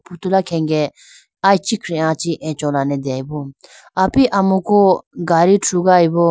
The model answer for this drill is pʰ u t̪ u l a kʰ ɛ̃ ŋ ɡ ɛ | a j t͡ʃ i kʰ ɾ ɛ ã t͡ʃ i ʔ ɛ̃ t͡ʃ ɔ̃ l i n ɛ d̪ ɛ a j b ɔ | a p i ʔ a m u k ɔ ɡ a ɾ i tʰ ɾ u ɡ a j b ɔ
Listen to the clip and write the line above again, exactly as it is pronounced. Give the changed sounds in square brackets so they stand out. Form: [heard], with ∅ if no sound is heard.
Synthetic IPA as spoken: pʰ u t̪ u l a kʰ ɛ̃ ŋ ɡ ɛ | a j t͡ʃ i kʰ ɾ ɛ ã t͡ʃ i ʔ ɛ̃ t͡ʃ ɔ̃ l [a] n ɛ d̪ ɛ a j b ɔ | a p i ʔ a m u k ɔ ɡ a ɾ i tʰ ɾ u ɡ a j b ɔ